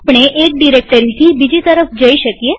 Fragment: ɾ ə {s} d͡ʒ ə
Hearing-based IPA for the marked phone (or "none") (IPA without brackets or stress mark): f